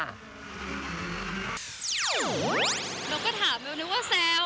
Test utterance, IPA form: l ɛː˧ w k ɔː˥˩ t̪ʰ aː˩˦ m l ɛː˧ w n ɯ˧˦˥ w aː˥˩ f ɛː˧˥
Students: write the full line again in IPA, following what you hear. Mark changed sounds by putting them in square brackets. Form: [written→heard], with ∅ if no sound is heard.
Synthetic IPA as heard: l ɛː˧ w k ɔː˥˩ t̪ʰ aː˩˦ m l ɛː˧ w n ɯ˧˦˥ w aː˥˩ [f→s] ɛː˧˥